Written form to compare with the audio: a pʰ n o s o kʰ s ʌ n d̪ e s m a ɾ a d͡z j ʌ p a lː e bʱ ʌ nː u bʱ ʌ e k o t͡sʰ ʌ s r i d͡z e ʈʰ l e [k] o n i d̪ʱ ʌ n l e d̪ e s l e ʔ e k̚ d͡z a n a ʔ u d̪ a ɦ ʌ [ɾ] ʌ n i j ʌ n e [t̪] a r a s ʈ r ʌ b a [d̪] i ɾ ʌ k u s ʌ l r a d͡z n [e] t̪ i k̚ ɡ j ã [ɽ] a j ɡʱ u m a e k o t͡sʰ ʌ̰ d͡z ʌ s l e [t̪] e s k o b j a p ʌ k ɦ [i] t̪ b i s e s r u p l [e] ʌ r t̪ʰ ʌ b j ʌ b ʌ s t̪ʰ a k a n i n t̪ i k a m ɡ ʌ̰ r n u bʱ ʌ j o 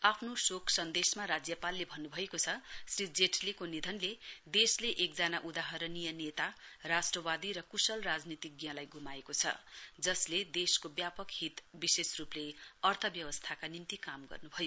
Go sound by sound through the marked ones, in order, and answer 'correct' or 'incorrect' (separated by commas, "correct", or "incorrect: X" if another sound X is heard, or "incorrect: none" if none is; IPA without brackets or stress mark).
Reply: correct, correct, correct, correct, incorrect: i, incorrect: l, incorrect: d̪, correct, correct